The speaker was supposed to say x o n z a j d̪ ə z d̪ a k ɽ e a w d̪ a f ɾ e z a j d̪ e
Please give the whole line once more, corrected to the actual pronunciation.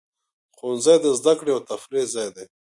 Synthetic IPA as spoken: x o n z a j d̪ ə z d̪ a k ɽ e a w t̪ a f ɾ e z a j d̪ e